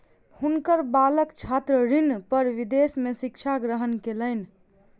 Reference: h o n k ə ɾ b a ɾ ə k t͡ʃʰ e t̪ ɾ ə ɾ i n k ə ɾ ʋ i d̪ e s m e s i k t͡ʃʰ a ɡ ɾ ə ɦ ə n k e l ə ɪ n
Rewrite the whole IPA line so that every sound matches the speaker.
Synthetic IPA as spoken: h u n k ə ɾ b a l ə k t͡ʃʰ a t̪ ɾ ə ɾ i n p ə ɾ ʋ i d̪ e s m e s i k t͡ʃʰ a ɡ ɾ ə ɦ ə n k e l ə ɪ n